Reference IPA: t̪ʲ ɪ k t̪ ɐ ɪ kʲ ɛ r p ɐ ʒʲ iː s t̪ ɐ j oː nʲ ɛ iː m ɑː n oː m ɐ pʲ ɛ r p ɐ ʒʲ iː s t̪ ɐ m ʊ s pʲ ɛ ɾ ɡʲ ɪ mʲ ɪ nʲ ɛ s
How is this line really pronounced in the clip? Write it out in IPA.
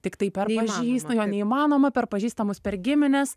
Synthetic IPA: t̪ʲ ɪ k t̪ ɐ ɪ pʲ ɛ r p ɐ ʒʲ iː s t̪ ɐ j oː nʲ ɛ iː m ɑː n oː m ɐ pʲ ɛ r p ɐ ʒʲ iː s t̪ ɐ m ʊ s pʲ ɛ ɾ ɡʲ ɪ mʲ ɪ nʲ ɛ s